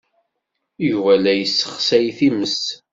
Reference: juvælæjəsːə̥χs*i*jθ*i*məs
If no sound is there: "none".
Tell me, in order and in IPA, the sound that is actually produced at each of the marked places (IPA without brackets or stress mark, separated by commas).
æ, i